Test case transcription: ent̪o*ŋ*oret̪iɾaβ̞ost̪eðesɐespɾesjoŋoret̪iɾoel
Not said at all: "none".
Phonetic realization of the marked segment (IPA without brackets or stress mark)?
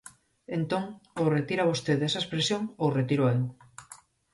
ŋ